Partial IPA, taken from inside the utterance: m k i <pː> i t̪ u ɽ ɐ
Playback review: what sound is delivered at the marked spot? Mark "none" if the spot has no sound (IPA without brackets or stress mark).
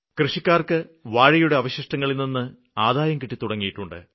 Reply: ʈː